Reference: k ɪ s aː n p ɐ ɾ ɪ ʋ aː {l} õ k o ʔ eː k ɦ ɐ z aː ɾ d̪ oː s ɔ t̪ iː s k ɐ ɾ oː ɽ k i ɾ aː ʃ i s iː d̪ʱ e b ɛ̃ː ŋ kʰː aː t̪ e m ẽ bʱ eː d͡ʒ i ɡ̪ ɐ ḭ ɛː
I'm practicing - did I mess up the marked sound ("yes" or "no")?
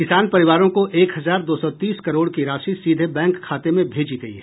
yes